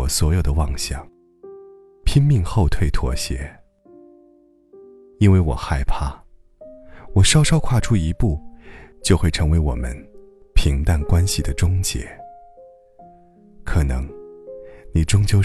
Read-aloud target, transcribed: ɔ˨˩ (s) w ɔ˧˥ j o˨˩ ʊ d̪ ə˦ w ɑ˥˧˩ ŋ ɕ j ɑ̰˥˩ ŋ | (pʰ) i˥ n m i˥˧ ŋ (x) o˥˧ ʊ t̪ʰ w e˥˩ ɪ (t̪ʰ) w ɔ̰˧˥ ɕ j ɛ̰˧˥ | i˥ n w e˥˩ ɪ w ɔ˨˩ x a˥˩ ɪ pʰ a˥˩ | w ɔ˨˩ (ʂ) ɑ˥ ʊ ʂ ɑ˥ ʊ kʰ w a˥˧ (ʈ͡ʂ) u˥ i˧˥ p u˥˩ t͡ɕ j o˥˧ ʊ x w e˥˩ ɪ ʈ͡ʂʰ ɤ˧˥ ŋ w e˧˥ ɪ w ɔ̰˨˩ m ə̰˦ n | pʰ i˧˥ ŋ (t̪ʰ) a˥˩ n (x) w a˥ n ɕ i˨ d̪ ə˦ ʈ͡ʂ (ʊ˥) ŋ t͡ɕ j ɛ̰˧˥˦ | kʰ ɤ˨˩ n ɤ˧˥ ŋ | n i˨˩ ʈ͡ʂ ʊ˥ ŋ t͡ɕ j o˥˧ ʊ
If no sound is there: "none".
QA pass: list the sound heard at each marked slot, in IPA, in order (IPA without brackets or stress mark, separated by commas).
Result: s, pʰ, x, t̪ʰ, ʂ, ʈ͡ʂʰ, t̪, k, ʊ˥